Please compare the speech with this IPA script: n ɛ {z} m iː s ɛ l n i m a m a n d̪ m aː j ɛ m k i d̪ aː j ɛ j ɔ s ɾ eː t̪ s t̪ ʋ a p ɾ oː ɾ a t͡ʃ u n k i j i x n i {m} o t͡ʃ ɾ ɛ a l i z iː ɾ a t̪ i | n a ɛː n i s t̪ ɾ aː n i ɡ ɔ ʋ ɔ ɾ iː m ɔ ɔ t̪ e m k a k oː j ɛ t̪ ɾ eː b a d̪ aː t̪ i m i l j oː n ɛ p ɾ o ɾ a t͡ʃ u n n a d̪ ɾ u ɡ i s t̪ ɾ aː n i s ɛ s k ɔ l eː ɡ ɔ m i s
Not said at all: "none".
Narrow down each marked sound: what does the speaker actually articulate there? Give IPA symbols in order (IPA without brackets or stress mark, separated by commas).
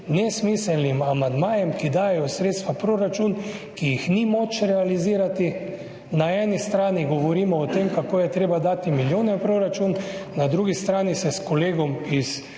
s, m